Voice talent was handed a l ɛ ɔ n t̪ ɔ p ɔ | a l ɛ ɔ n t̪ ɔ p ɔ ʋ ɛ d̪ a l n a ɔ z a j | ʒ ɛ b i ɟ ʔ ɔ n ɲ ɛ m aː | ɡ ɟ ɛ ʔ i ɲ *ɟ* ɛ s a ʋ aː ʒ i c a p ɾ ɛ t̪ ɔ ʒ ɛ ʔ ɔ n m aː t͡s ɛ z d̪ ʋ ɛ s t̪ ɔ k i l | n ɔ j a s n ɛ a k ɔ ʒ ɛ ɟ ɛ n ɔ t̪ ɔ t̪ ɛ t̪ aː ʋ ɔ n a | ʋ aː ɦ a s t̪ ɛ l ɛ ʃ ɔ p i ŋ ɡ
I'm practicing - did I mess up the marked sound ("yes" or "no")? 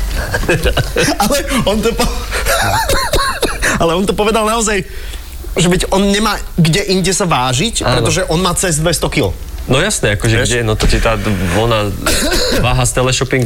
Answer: no